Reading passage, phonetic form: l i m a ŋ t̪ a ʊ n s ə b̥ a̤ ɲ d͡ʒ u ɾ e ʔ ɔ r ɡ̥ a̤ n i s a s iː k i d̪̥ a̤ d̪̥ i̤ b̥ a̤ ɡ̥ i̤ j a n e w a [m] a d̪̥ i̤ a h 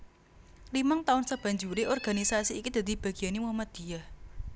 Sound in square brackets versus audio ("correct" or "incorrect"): correct